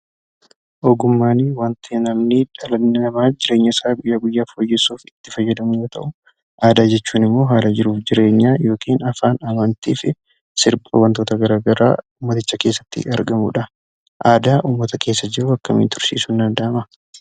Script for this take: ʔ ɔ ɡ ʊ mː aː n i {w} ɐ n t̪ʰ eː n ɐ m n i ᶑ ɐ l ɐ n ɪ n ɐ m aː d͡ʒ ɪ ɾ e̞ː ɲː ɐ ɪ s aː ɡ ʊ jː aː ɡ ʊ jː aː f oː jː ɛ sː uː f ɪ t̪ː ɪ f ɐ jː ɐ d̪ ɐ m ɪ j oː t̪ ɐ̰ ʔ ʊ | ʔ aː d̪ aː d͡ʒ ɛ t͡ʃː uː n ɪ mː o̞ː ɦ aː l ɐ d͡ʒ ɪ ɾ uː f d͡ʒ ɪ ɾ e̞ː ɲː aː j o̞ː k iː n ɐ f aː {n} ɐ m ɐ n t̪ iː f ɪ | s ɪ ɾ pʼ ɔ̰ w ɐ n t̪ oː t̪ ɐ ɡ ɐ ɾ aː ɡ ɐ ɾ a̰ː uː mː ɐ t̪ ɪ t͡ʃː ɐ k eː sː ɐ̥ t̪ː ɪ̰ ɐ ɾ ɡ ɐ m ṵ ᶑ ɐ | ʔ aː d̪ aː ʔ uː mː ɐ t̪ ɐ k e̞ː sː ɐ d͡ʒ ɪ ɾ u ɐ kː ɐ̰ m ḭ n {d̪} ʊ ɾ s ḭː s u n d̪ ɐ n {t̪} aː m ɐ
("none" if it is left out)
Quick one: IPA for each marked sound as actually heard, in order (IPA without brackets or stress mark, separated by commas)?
w, n, t̪, d̪